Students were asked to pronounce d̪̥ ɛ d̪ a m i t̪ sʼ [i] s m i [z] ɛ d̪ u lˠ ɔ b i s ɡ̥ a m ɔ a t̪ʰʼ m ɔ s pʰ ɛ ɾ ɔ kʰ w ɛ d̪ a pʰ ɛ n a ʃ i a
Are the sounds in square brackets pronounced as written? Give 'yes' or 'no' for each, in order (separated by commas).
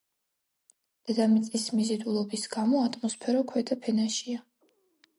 yes, yes